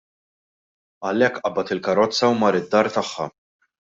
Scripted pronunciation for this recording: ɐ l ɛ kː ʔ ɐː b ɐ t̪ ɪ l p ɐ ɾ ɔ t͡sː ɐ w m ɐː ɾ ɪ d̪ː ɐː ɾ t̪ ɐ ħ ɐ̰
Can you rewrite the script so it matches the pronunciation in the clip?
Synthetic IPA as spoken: ɐ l ɛ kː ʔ ɐ b ɐ t̪ ɪ l k ɐ ɾ ɔ t͡sː ɐ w m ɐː ɾ ɪ d̪ː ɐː ɾ t̪ ɐ ħː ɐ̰